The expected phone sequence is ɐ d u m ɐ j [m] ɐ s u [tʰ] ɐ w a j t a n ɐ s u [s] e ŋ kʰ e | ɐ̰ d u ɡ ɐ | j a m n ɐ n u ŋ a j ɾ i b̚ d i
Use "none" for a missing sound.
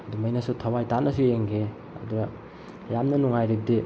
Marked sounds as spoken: n, tʰ, none

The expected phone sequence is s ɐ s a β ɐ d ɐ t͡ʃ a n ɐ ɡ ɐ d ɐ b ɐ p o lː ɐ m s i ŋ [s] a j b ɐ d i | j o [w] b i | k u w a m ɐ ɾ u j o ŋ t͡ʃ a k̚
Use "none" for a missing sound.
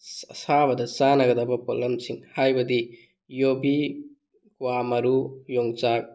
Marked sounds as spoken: h, none

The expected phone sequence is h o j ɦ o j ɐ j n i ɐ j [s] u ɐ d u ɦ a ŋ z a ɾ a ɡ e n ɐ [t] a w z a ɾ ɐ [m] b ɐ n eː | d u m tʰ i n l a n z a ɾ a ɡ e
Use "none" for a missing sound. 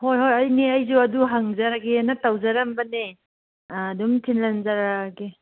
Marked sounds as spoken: z, t, m

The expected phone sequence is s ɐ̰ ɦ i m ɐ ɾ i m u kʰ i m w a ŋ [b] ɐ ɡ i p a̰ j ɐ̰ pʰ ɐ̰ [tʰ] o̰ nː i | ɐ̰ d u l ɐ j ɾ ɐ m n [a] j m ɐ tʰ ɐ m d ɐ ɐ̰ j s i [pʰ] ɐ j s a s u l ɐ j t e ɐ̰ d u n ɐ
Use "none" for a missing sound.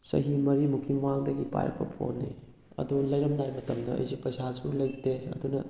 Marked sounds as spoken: d, pʰ, a, p

